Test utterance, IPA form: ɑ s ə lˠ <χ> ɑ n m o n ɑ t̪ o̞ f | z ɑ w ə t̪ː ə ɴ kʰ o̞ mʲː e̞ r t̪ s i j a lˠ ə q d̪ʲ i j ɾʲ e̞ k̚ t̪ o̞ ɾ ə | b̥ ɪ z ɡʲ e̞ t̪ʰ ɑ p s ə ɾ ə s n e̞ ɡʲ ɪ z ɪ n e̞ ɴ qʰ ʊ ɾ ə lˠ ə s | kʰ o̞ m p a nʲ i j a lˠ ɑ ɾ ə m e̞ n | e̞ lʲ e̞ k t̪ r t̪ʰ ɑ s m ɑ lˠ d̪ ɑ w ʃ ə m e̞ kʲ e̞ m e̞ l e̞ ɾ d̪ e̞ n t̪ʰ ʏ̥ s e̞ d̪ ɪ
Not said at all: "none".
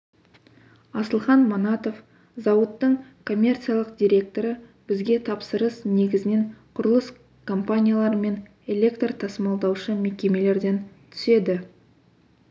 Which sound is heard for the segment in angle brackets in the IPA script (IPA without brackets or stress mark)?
χ